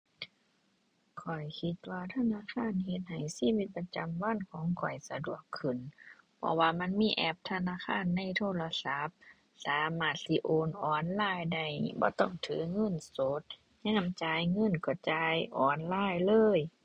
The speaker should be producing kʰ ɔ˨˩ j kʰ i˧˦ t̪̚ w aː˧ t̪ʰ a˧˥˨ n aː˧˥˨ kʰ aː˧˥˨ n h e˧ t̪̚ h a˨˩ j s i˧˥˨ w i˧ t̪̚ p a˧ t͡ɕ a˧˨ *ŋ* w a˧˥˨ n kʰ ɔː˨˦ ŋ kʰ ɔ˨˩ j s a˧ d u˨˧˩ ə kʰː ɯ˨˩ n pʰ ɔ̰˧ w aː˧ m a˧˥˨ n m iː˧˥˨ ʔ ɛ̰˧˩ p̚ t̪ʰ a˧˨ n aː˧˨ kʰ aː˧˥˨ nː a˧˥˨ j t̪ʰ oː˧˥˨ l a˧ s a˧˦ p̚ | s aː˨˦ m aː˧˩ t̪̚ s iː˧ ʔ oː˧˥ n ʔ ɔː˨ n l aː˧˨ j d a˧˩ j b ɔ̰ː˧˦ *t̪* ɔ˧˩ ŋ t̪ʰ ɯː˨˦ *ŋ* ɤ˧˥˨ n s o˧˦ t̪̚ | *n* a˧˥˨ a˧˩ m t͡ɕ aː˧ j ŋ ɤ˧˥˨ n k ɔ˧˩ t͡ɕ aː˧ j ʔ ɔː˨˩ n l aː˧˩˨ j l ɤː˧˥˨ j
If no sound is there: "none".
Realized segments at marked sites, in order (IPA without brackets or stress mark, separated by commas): m, t̪, ŋ, ɲ